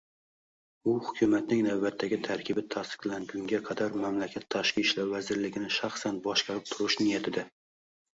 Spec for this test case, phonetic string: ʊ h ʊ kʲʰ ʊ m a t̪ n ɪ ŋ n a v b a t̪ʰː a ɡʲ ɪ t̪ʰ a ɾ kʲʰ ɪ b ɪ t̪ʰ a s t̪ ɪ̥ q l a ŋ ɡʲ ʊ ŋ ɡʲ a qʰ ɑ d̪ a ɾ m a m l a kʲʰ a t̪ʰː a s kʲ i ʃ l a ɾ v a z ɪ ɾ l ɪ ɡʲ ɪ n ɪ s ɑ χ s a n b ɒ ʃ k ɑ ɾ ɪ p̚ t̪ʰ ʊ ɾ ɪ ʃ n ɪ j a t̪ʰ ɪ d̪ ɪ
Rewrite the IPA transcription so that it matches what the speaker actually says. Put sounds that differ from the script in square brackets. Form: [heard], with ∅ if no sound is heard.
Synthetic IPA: ʊ h ʊ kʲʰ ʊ m a t̪ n ɪ ŋ n a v b a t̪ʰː a ɡʲ ɪ t̪ʰ a ɾ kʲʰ ɪ b ɪ t̪ʰ a s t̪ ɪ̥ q l a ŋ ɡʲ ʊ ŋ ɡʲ a qʰ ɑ d̪ a ɾ m a m l a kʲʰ a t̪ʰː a [ʃ] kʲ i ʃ l a ɾ v a z ɪ ɾ l ɪ ɡʲ ɪ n ɪ [ʃ] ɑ χ s a n b ɒ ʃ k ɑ ɾ ɪ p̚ t̪ʰ ʊ ɾ ɪ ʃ n ɪ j a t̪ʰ ɪ d̪ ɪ